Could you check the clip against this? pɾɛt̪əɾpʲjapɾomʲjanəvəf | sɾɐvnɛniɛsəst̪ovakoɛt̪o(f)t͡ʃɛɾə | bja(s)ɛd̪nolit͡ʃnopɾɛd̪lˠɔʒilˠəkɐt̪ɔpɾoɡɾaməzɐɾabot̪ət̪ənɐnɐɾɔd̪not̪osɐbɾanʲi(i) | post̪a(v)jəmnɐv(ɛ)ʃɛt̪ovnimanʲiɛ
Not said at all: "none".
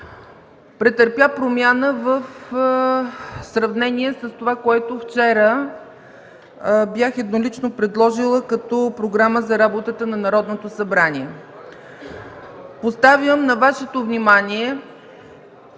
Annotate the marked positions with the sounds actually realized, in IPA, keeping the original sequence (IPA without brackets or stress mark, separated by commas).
f, x, ɛ, v, a